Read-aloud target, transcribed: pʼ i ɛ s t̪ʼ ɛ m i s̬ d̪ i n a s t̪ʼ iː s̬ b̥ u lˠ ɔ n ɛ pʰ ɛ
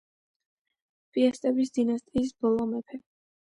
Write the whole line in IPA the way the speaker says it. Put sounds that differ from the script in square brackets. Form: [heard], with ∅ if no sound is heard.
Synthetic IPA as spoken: pʼ i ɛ s t̪ʼ ɛ [b] i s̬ d̪ i n a s t̪ʼ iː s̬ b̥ [ɔ] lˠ ɔ [m] ɛ pʰ ɛ